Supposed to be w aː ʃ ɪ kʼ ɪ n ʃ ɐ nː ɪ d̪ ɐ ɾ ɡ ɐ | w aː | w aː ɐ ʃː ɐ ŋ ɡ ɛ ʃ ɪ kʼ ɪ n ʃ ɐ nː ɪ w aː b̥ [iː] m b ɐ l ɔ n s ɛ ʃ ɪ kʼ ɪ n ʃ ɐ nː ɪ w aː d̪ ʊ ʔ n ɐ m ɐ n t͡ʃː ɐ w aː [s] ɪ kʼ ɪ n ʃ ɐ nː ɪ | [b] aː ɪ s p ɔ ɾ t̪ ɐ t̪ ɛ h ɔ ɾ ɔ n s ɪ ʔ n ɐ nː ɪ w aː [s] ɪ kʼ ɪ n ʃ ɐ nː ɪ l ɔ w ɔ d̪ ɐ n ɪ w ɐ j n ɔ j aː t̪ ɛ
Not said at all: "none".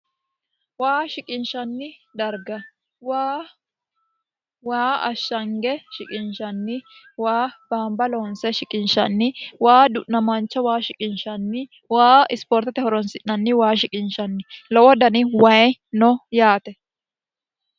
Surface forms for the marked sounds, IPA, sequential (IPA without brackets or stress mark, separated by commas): aː, ʃ, w, ʃ